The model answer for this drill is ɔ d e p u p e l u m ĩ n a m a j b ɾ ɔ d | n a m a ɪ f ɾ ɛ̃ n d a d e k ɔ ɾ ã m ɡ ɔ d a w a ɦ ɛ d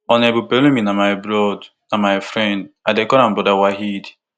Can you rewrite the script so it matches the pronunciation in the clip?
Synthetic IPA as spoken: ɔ n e b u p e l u m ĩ n a m a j b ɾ ɔ d | n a m a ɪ f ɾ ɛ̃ n d a d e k ɔ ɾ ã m b ɔ d a w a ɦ i d